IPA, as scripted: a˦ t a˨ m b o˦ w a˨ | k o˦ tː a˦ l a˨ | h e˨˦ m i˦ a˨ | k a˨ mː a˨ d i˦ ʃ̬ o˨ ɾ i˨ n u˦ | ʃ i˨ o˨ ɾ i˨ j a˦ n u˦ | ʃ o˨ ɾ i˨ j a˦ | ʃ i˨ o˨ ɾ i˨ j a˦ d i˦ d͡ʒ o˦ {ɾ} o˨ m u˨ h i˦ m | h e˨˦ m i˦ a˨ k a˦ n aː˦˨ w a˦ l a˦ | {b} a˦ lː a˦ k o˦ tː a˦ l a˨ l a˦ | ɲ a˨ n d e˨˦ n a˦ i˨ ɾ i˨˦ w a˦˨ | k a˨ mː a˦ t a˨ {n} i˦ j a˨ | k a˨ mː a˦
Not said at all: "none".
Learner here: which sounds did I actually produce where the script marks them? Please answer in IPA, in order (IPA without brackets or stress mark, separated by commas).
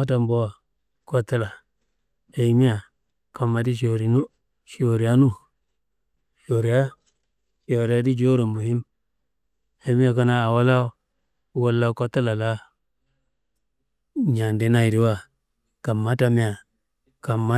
ɾ, w, m